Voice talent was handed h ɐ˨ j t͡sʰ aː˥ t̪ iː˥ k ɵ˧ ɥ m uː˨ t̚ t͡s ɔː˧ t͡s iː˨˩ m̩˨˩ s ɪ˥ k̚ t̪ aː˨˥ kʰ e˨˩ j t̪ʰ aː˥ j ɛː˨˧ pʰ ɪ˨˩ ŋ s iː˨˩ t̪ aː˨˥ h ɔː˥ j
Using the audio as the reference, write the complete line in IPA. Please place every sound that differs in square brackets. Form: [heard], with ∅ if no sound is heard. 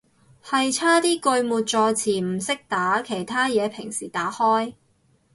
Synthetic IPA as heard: h ɐ˨ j t͡sʰ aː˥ t̪ iː˥ k ɵ˧ ɥ m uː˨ t̚ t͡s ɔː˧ [t͡sʰ] iː˨˩ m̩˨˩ s ɪ˥ k̚ t̪ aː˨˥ kʰ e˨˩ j t̪ʰ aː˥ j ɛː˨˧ pʰ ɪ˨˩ ŋ s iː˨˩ t̪ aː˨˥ h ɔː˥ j